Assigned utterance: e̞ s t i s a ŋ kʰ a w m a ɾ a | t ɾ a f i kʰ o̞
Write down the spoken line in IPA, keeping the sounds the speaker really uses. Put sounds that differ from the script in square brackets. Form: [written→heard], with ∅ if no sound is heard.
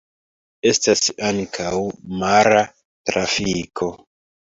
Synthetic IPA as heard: e̞ s t [i→a] s a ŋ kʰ a w m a ɾ a | t ɾ a f i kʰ o̞